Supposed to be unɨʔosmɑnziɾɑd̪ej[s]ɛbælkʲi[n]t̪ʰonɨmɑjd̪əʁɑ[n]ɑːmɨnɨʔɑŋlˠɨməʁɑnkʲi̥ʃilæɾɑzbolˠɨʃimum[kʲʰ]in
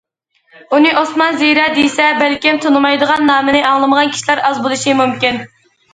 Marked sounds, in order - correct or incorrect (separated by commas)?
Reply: correct, incorrect, incorrect, incorrect